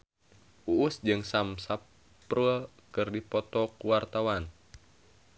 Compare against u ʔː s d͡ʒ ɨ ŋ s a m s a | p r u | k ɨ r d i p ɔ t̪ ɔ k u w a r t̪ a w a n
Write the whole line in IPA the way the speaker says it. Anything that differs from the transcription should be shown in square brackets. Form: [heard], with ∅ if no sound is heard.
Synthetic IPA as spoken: u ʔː s d͡ʒ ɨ ŋ s a m s a | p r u | k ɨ r d i p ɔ t̪ ɔ k u w a r t̪ a w a n

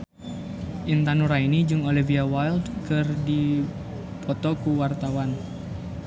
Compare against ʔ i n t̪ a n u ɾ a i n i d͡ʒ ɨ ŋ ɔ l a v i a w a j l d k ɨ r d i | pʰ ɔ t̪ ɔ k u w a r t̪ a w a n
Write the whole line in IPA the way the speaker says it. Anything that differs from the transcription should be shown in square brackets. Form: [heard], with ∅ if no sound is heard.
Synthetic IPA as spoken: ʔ i n t̪ a n u ɾ a i n i d͡ʒ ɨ ŋ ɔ l [i] v i a w a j l d k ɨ r d i | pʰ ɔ t̪ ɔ k u w a r t̪ a w a n

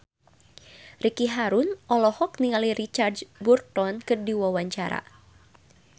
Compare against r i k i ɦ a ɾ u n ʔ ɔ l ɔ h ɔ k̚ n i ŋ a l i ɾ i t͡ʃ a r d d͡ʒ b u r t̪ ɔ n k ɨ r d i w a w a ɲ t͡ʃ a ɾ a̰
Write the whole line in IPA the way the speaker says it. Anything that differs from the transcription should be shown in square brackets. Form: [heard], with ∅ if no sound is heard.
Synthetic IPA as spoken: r i k i ɦ a ɾ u n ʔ ɔ l ɔ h ɔ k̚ n i ŋ a l i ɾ i t͡ʃ a r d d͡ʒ b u r t̪ ɔ n k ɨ r d i w a w a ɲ t͡ʃ a ɾ a̰

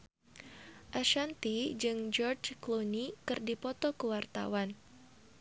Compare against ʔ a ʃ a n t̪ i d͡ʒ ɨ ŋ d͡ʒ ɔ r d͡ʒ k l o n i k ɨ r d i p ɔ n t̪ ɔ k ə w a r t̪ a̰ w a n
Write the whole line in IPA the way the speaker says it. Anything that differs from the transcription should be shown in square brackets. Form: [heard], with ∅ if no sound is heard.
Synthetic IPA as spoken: ʔ a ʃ a n t̪ i d͡ʒ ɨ ŋ d͡ʒ ɔ r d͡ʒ k l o n i k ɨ r d i p ɔ [∅] t̪ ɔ k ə w a r t̪ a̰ w a n

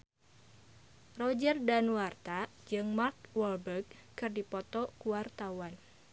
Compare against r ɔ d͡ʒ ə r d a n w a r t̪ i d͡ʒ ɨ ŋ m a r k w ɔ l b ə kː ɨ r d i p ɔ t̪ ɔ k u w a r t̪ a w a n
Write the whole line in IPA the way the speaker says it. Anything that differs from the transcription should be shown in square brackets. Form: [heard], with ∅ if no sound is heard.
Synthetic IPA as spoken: r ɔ d͡ʒ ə r d a n w a r t̪ [a] d͡ʒ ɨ ŋ m a r k w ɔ l b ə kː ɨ r d i p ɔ t̪ ɔ k u w a r t̪ a w a n

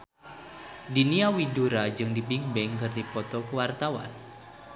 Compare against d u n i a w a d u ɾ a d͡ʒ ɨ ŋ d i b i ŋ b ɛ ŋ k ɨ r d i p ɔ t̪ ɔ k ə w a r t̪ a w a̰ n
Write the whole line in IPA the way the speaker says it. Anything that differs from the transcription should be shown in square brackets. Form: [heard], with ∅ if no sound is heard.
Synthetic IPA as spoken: d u n i a w [i] d u ɾ a d͡ʒ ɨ ŋ d i b i ŋ b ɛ ŋ k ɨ r d i p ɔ t̪ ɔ k ə w a r t̪ a w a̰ n

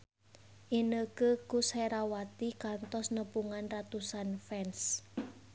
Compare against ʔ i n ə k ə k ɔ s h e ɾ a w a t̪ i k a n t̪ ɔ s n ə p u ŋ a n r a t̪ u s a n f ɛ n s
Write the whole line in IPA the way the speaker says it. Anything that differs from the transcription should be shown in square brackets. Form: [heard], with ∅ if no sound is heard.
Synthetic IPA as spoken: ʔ i n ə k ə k [u] s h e ɾ a w a t̪ i k a n t̪ ɔ s n ə p u ŋ a n r a t̪ u s a n f ɛ n s

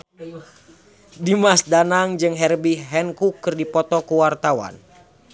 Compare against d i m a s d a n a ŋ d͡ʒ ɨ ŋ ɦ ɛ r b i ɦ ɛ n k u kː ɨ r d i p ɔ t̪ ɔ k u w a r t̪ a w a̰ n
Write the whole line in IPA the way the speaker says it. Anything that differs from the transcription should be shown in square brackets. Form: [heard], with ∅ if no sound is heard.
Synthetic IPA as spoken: d i m a s d a n a ŋ d͡ʒ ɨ ŋ ɦ ɛ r b i ɦ ɛ n k u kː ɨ r d i p ɔ t̪ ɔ k u w a r t̪ a w a̰ n

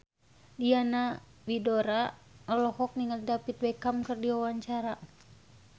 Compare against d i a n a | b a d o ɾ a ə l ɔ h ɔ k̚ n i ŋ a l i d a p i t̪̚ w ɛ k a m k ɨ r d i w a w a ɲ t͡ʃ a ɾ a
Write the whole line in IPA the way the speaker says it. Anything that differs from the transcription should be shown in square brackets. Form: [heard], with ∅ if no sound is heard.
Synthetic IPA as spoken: d i a n a | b [i] d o ɾ a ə l ɔ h ɔ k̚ n i ŋ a l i d a p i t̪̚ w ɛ k a m k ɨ r d i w a w a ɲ t͡ʃ a ɾ a

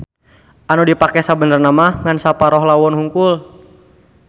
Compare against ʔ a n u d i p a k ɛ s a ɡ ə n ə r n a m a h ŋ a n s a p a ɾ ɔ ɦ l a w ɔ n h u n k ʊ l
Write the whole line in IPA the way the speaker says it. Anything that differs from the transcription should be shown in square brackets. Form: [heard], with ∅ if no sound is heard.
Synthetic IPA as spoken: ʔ a n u d i p a k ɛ s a [b] ə n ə r n a m a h ŋ a n s a p a ɾ ɔ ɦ l a w ɔ n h u [ŋ] k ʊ l

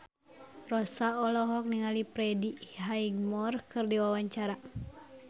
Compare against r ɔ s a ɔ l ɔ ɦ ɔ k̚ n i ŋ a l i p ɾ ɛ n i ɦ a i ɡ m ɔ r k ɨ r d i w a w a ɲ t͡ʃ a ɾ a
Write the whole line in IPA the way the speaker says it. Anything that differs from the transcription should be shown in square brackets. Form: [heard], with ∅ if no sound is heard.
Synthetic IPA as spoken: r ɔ s a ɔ l ɔ ɦ ɔ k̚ n i ŋ a l i p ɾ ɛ [d] i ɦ a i ɡ m ɔ r k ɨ r d i w a w a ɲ t͡ʃ a ɾ a

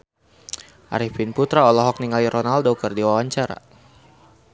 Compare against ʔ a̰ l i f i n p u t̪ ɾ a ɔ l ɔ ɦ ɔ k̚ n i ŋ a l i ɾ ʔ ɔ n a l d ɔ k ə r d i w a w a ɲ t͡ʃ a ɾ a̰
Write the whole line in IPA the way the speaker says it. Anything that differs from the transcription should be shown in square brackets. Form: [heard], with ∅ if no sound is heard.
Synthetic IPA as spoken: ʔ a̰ [ɾ] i f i n p u t̪ ɾ a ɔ l ɔ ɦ ɔ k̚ n i ŋ a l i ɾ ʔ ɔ n a l d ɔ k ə r d i w a w a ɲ t͡ʃ a ɾ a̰

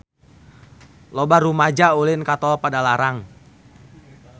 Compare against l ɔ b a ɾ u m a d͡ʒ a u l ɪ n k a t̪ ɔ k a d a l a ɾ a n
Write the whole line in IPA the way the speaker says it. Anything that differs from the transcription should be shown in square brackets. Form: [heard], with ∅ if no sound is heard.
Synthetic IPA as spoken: l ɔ b a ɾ u m a d͡ʒ a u l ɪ n k a t̪ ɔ [p] a d a l a ɾ a [ŋ]

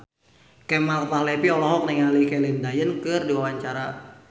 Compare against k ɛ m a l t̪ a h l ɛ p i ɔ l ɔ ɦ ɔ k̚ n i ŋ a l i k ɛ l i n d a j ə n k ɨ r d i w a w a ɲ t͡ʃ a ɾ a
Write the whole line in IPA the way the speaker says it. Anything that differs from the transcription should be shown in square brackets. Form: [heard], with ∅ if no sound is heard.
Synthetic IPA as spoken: k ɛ m a l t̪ a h l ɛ p i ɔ l ɔ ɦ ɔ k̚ n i ŋ a l i k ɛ l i n d a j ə n k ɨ r d i w a w a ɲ t͡ʃ a ɾ a

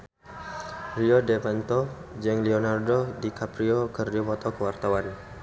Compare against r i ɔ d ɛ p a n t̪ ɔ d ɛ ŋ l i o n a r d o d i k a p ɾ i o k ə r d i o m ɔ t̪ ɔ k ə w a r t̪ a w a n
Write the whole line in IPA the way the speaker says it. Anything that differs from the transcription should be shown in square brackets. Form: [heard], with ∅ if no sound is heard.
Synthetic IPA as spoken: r i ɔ d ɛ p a n t̪ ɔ [d͡ʒ] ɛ ŋ l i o n a r d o d i k a p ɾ i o k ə r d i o m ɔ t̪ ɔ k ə w a r t̪ a w a n

